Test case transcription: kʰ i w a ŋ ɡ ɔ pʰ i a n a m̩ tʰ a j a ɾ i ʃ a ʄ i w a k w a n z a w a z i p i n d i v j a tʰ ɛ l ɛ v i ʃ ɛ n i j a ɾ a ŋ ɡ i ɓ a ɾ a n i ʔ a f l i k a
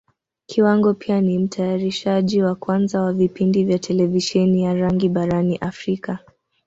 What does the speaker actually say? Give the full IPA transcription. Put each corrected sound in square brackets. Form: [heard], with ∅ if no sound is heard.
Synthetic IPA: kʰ i w a ŋ ɡ ɔ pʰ i a n [i] m̩ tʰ a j a ɾ i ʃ a ʄ i w a k w a n z a w a [v] i p i n d i v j a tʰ ɛ l ɛ v i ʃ ɛ n i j a ɾ a ŋ ɡ i ɓ a ɾ a n i ʔ a f [ɾ] i k a